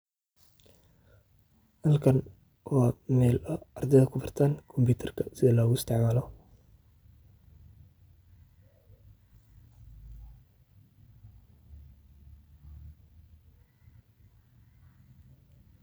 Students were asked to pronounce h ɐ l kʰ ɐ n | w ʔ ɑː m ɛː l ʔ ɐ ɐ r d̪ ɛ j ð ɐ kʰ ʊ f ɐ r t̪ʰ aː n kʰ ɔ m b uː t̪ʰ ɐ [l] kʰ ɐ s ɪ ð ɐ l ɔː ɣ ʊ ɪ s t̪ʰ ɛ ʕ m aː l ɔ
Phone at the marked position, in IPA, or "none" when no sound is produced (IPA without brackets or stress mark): r